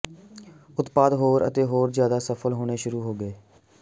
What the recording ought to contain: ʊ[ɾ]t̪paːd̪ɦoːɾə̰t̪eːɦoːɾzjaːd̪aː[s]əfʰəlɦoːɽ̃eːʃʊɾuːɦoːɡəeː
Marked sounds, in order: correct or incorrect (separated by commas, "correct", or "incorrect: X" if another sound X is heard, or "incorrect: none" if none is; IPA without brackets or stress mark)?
incorrect: none, correct